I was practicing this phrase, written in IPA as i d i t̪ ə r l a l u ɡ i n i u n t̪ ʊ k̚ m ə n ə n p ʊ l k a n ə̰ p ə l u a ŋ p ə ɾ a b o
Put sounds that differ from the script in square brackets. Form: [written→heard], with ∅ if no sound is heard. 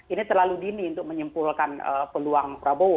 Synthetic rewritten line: i [d→n] i t̪ ə r l a l u [ɡ→d] i n i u n t̪ ʊ k̚ m ə [n→ɲ] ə [n→m] p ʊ l k a n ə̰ p ə l u a ŋ p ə ɾ a b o